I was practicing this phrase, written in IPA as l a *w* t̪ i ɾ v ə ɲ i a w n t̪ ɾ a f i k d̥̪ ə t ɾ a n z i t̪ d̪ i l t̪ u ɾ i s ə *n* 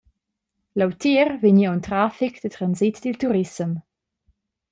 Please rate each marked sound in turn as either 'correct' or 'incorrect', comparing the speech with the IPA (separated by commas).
correct, incorrect